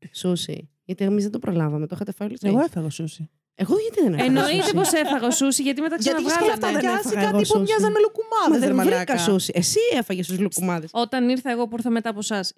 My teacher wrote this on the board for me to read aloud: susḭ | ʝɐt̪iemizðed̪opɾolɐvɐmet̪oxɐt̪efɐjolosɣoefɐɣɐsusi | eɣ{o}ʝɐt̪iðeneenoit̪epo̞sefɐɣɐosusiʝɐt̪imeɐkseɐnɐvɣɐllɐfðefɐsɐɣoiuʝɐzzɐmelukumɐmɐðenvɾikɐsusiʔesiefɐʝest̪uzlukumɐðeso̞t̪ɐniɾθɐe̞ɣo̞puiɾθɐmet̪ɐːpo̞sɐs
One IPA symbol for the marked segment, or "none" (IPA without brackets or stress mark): o